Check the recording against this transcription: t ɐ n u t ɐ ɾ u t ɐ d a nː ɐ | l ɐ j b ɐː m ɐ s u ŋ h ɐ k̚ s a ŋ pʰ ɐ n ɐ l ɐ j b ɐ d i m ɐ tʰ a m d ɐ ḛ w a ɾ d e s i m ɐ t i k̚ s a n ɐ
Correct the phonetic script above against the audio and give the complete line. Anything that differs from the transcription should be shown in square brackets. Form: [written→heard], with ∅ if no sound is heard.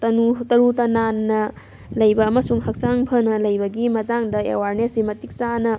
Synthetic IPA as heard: t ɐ n u t ɐ ɾ u t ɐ [d→n] a nː ɐ | l ɐ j b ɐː m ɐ s u ŋ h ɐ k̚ s a ŋ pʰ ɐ n ɐ l ɐ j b ɐ [d→ɡ] i m ɐ [tʰ→t] a [m→ŋ] d ɐ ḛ w a ɾ [d→n] e s i m ɐ t i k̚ s a n ɐ